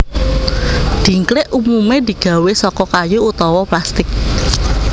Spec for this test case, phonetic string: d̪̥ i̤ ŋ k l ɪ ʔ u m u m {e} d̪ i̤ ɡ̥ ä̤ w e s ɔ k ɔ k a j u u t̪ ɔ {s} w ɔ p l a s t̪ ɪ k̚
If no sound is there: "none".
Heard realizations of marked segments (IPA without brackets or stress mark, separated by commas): e, none